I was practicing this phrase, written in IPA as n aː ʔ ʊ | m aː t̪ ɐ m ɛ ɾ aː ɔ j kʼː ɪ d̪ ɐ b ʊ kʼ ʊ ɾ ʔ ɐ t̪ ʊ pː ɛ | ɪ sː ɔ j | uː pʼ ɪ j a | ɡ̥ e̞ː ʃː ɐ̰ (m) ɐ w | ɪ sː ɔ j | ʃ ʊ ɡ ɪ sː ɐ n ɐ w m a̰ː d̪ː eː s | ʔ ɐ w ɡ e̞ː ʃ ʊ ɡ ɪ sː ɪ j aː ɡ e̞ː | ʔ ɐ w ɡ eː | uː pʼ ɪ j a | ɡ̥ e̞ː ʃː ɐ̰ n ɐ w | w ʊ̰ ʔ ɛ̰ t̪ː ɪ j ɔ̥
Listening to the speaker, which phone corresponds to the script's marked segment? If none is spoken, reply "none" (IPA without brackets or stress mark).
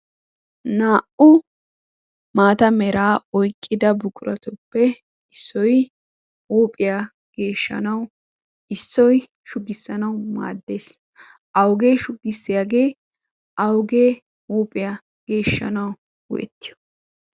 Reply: n